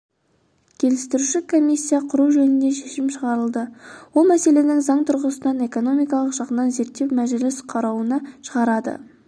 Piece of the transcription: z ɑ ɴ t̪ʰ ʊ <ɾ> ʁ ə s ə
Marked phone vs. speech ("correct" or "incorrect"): correct